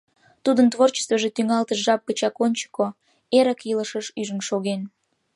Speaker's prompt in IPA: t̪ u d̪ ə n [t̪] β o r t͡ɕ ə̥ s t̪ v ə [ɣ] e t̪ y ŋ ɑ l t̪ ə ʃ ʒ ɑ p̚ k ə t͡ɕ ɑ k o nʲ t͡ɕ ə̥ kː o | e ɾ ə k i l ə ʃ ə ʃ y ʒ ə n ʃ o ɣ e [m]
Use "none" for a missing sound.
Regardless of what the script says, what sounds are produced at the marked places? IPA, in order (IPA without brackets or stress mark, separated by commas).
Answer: t̪, ʒ, n